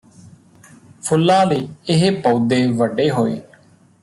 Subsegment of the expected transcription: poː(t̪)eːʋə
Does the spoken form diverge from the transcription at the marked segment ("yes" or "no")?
yes